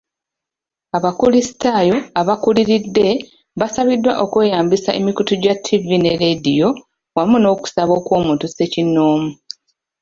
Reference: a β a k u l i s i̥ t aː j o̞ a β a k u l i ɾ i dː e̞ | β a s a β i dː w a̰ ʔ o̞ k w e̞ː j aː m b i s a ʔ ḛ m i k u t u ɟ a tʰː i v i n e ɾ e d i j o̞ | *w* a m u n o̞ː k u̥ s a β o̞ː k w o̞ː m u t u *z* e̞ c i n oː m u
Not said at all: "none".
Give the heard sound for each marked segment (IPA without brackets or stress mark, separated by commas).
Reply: w, s